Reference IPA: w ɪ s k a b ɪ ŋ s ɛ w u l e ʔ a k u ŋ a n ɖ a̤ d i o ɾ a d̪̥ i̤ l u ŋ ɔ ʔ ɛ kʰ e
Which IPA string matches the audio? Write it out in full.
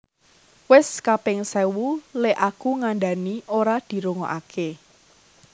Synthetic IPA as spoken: w ɪ s k a p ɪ ŋ s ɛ w u l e ʔ a k u ŋ a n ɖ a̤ n i o ɾ a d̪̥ i̤ ɾ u ŋ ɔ ʔ a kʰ e